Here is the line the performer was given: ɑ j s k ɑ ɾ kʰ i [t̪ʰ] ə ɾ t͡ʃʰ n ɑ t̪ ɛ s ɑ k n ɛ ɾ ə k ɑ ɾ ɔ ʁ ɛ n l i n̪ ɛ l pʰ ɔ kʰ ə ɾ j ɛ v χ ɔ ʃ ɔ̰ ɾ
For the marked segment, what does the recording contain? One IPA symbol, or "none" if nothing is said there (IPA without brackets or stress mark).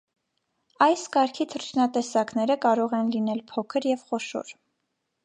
t̪ʰ